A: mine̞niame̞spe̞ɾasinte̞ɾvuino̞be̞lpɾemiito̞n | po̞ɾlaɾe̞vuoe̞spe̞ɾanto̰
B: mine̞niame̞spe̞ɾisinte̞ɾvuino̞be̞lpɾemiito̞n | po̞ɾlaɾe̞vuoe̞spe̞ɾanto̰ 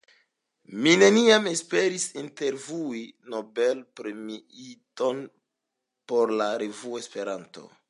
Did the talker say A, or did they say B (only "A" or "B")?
B